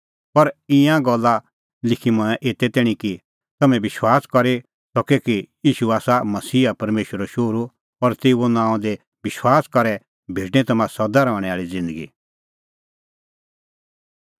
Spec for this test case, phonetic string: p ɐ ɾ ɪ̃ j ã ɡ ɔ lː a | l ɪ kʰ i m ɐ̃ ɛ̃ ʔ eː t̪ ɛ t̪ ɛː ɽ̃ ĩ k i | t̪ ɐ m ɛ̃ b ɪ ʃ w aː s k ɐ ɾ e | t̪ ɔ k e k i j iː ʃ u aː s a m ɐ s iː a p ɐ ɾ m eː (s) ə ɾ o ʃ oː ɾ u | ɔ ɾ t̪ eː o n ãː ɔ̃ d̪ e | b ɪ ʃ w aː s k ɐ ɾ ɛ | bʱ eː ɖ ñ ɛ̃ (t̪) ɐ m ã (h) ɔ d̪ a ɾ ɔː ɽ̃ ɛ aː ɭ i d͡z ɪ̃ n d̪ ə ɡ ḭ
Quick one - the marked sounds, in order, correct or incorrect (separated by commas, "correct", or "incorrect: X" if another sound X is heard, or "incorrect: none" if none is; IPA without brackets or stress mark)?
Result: incorrect: ʃ, correct, incorrect: s